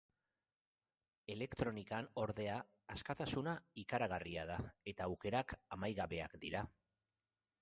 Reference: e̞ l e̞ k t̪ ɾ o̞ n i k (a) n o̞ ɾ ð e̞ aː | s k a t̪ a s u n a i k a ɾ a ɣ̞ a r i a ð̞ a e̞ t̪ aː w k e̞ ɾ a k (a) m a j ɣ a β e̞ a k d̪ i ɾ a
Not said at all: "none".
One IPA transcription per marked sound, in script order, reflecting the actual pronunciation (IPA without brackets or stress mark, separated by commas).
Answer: a, a